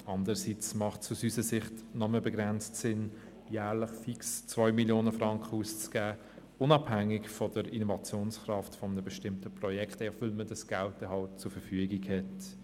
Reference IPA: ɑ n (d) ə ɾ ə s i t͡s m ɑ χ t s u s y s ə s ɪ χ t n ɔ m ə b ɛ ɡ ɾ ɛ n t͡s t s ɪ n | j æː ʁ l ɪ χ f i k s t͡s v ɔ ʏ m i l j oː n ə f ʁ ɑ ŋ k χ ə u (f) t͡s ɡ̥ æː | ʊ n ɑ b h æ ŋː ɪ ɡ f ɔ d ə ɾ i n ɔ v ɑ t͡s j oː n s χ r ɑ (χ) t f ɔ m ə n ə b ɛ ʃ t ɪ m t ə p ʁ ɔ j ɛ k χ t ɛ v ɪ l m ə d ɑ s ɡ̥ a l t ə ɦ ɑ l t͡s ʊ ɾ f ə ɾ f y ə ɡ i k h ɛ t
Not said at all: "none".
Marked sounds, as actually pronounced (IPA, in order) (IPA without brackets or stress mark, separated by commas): d, s, f